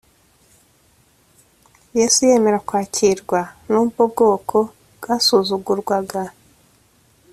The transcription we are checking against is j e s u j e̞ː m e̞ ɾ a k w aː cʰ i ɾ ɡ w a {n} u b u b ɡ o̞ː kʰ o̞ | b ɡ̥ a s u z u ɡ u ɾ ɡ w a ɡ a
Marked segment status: correct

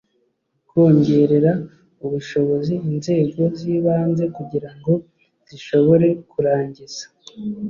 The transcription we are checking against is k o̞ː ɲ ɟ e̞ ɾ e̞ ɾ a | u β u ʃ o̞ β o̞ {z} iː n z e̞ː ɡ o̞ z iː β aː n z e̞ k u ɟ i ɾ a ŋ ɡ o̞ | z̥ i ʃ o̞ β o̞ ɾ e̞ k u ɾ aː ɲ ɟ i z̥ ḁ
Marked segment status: correct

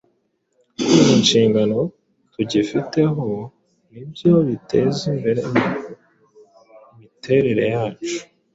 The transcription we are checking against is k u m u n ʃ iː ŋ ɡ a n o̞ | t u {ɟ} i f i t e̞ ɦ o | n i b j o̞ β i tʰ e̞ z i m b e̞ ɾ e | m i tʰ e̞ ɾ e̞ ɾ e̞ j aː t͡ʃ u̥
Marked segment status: correct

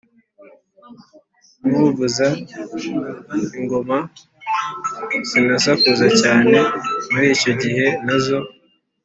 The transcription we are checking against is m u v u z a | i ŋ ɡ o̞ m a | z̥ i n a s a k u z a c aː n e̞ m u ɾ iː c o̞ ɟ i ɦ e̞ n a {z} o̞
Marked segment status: correct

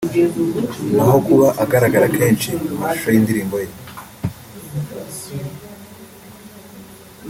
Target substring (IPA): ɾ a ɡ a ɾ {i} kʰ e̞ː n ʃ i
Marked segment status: incorrect: a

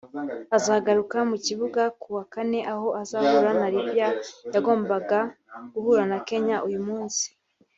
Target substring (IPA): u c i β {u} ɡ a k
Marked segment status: correct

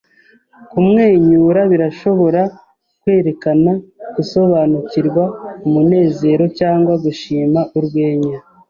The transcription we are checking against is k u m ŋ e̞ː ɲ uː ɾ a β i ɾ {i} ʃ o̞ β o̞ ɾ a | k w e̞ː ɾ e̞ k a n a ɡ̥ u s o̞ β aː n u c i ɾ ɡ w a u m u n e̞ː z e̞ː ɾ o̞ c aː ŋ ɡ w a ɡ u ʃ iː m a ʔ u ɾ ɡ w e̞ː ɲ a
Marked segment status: incorrect: a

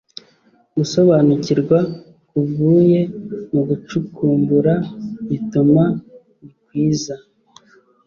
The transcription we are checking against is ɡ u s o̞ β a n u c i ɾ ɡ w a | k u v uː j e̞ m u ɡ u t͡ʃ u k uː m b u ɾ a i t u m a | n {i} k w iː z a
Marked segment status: correct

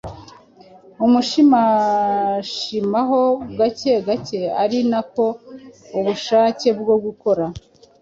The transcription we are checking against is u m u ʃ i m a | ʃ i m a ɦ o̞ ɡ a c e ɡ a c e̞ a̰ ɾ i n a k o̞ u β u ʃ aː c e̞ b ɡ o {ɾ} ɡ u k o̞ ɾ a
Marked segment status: incorrect: none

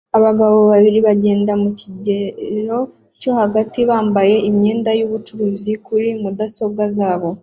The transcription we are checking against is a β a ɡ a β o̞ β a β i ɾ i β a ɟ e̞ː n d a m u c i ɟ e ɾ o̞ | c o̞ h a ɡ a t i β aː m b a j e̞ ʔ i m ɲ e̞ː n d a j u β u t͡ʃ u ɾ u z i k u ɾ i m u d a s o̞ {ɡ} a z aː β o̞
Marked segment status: correct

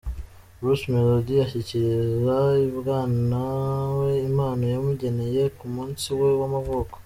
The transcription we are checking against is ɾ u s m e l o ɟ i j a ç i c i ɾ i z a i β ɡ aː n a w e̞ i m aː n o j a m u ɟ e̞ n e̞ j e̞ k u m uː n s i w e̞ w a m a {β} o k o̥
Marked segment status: incorrect: v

